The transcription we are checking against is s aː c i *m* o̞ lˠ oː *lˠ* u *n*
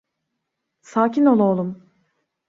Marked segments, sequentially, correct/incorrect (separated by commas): incorrect, correct, incorrect